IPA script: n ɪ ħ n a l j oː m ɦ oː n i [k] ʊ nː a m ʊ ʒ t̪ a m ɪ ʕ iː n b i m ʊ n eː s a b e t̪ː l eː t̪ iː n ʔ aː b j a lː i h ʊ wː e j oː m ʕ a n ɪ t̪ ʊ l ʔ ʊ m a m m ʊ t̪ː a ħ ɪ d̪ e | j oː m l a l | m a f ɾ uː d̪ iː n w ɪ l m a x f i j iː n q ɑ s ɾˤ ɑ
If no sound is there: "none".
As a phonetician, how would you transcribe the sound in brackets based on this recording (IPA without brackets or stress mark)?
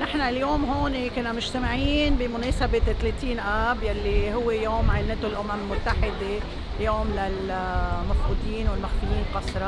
k